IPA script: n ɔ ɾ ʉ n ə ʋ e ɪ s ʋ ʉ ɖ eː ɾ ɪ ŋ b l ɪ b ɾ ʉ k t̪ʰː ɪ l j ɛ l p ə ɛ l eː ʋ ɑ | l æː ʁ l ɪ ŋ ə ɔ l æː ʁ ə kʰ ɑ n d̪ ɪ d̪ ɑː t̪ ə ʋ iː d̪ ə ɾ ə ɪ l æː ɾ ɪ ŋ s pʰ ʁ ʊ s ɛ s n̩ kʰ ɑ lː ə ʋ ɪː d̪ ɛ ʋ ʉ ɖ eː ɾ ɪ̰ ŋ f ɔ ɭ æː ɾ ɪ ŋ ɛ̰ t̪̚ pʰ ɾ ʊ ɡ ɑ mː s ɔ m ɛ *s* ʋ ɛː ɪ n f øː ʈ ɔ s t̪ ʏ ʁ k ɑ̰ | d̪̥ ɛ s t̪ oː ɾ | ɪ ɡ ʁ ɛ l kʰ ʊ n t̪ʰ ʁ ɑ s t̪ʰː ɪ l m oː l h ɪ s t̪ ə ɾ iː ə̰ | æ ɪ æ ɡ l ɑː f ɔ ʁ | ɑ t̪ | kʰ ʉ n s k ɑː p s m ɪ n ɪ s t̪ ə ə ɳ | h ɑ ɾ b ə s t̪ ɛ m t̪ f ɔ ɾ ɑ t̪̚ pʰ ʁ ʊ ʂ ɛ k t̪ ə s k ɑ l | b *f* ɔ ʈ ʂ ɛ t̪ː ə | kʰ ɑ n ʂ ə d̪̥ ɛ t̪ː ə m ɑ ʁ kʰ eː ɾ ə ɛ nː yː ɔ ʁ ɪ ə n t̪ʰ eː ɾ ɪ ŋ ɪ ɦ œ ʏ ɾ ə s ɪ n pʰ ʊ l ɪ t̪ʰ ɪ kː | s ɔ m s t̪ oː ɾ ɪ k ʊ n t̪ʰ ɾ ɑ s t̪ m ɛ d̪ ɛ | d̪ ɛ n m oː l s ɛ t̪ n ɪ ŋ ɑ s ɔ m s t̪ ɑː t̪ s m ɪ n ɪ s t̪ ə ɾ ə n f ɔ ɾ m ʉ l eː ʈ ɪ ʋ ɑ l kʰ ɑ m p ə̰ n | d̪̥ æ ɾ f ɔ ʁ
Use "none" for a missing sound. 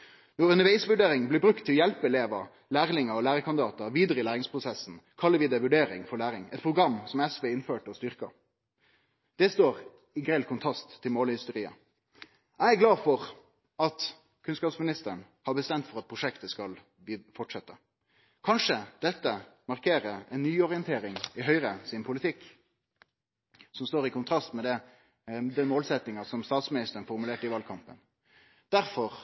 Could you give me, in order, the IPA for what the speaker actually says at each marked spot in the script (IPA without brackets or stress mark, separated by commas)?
s, f